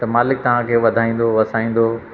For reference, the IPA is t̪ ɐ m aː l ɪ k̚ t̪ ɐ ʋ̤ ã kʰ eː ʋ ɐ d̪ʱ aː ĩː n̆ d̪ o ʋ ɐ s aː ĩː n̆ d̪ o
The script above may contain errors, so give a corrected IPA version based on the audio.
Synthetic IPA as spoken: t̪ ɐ m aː l ɪ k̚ t̪ ɐ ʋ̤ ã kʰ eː ʋ ɐ d̪ʱ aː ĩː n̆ d̪ o ʋ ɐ s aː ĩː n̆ d̪ o